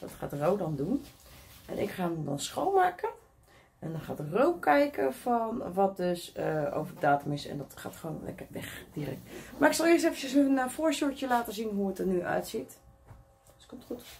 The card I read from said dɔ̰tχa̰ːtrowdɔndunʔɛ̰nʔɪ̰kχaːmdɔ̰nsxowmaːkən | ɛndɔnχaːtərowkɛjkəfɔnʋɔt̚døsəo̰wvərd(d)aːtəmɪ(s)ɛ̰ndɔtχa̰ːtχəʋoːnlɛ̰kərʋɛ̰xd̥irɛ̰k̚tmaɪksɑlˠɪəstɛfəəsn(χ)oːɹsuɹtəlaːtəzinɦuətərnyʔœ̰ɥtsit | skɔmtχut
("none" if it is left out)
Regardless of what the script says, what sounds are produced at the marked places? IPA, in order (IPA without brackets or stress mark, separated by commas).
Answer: d, s, f